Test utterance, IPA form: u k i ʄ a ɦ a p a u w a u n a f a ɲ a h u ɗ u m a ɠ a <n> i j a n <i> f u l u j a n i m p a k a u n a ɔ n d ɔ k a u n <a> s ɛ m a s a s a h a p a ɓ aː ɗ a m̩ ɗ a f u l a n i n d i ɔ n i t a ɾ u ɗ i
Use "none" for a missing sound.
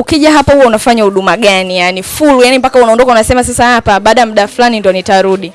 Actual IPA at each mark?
n, i, a

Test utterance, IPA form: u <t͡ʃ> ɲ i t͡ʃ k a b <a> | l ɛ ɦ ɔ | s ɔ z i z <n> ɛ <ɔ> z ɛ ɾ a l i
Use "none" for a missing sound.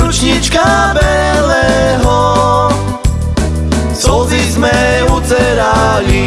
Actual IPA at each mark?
t͡ʃ, ɛ, m, u

